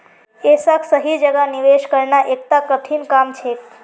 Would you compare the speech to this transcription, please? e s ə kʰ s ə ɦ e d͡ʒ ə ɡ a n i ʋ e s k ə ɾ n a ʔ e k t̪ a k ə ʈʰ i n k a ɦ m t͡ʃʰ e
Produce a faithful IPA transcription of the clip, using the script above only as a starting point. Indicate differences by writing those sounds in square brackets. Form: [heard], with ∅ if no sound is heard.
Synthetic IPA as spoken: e s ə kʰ s ə ɦ [i] d͡ʒ ə ɡ a n i ʋ e [ʃ] k ə ɾ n a ʔ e k t̪ a k ə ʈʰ i n k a [∅] m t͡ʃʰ e